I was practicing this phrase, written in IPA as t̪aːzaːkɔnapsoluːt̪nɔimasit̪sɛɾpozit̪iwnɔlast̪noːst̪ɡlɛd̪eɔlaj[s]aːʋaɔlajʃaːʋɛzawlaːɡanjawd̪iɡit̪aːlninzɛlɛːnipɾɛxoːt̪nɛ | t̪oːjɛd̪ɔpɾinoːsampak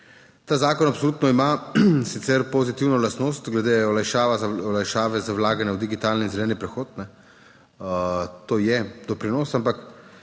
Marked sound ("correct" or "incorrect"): incorrect